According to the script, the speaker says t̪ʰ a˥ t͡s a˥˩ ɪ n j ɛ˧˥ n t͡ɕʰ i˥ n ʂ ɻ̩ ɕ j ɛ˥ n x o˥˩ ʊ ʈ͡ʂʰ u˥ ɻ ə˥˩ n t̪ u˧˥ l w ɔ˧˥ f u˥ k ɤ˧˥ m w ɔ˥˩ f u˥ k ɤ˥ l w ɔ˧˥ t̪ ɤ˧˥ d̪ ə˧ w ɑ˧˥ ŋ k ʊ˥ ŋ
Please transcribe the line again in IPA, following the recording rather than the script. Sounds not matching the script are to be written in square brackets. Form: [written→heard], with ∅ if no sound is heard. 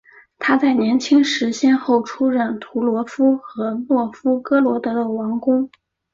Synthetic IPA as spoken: t̪ʰ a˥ t͡s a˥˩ ɪ n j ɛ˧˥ n t͡ɕʰ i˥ [n→ŋ] ʂ ɻ̩ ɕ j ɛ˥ n x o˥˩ ʊ ʈ͡ʂʰ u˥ ɻ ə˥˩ n [t̪→t̪ʰ] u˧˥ l w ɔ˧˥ f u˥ [k→x] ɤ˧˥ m w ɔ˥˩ f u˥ k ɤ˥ l w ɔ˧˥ t̪ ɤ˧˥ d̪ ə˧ w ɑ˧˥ ŋ k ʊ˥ ŋ